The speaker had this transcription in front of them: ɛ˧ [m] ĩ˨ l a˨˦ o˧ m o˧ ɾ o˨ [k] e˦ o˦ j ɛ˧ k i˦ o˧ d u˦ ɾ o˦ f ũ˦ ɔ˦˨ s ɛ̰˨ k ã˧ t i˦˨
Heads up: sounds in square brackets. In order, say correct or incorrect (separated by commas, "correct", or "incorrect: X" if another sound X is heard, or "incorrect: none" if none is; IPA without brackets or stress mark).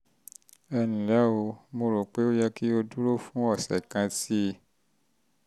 incorrect: n, incorrect: k͡p